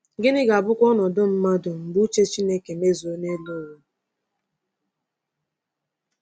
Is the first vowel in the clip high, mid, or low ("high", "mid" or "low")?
high